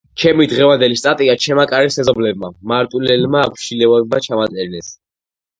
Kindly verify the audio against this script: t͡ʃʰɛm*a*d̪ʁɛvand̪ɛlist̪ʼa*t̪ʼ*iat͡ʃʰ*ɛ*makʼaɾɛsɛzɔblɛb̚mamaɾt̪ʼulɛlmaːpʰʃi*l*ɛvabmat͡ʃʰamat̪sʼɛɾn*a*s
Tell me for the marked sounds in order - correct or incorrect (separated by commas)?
incorrect, correct, correct, correct, incorrect